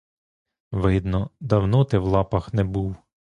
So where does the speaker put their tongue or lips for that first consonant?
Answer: lips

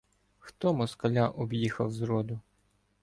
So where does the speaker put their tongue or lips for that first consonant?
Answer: velum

